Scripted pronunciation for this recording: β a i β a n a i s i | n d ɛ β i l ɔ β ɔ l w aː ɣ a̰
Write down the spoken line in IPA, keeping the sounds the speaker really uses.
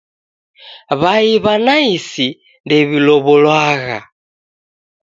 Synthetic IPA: β a i β a n a i s i | n d ɛ β i l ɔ β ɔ l w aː ɣ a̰